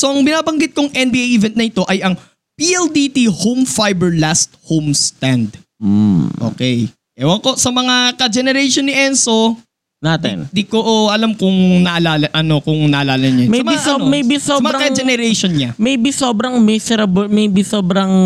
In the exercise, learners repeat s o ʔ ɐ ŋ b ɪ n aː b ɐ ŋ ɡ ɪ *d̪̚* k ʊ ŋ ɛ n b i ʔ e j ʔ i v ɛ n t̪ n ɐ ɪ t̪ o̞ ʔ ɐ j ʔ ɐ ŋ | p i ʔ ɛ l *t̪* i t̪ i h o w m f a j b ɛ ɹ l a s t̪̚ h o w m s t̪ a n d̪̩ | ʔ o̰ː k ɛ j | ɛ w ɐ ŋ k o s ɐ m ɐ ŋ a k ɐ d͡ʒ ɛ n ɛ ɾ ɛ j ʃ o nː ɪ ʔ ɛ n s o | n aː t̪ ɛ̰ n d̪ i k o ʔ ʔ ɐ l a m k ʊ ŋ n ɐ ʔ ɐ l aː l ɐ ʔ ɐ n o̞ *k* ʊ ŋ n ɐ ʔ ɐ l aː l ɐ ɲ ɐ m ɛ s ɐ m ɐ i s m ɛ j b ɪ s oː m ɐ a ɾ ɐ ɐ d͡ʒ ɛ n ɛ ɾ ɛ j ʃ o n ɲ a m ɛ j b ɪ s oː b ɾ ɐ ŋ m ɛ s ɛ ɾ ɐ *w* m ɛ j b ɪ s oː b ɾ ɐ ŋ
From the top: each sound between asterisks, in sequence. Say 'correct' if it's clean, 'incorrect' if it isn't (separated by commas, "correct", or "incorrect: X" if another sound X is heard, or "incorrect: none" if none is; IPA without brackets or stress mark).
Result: incorrect: t̪̚, incorrect: d̪, correct, incorrect: b